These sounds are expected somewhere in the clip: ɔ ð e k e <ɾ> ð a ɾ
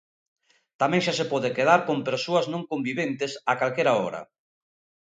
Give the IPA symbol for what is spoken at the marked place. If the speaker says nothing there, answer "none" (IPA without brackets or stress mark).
none